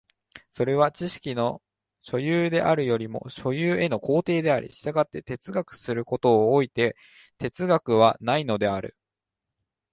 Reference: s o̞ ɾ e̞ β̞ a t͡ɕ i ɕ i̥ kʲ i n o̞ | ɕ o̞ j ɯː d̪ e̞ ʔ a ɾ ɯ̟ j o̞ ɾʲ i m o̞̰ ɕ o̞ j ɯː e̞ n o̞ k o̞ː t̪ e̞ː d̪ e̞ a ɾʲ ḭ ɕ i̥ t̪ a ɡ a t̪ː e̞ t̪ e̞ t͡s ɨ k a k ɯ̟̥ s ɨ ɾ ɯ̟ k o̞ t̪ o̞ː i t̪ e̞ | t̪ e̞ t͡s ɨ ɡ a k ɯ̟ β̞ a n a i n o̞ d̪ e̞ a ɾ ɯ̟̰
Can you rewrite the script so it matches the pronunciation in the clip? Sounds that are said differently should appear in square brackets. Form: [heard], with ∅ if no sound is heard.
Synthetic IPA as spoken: s o̞ ɾ e̞ β̞ a t͡ɕ i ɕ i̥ kʲ i n o̞ | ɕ o̞ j ɯː d̪ e̞ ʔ a ɾ ɯ̟ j o̞ ɾʲ i m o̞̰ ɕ o̞ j ɯː e̞ n o̞ k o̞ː t̪ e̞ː d̪ e̞ a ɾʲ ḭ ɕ i̥ t̪ a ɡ a t̪ː e̞ t̪ e̞ t͡s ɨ [ɡ] a k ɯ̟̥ s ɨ ɾ ɯ̟ k o̞ t̪ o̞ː i t̪ e̞ | t̪ e̞ t͡s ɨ ɡ a k ɯ̟ β̞ a n a i n o̞ d̪ e̞ a ɾ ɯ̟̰